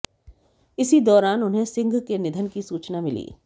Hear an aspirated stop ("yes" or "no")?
no